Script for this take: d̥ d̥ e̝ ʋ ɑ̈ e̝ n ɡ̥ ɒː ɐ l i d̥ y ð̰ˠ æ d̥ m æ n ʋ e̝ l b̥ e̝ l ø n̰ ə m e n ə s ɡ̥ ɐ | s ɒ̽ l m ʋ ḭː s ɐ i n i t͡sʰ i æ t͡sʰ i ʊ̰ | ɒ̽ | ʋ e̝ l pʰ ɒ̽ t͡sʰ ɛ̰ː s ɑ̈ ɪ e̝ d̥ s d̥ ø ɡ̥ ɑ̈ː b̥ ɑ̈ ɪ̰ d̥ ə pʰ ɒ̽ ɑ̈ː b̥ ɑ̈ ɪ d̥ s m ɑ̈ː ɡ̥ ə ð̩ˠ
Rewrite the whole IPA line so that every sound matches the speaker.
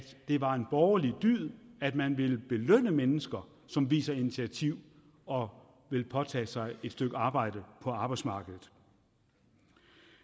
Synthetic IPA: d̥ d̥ e̝ ʋ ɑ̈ e̝ n b̥ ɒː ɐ l i d̥ y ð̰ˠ æ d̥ m æ n ʋ e̝ l b̥ e̝ l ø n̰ ə m e n ə s ɡ̥ ɐ | s ɒ̽ m ʋ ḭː s ɐ i n i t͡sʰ i æ t͡sʰ i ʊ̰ | ɒ̽ | ʋ e̝ l pʰ ɒ̽ t͡sʰ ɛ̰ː s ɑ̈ ɪ e̝ d̥ s d̥ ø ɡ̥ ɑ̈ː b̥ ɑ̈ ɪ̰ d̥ ə pʰ ɒ̽ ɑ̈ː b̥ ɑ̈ ɪ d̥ s m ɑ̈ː ɡ̥ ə ð̩ˠ